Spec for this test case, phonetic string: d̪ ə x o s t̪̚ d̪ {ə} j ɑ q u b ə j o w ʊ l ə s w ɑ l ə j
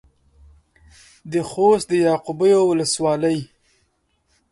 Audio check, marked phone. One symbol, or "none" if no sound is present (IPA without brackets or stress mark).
ə